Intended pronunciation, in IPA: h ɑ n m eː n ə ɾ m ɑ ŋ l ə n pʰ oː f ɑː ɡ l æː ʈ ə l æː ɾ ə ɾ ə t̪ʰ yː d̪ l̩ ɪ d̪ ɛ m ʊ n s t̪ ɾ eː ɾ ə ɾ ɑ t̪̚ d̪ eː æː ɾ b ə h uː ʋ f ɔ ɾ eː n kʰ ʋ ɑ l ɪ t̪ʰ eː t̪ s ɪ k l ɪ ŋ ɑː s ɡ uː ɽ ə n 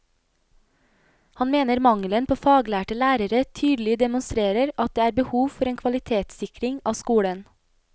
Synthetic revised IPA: h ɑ n m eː n ə ɾ m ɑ ŋ l ə n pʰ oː f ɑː ɡ l æː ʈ ə l æː ɾ ə ɾ ə t̪ʰ yː d̪ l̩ ɪ d̪ ɛ m ʊ n s t̪ ɾ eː ɾ ə ɾ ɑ t̪̚ d̪ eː æː ɾ b ə h uː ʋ f ɔ ɾ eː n kʰ ʋ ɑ l ɪ t̪ʰ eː t̪ s ɪ k ɾ ɪ ŋ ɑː s k uː ɽ ə n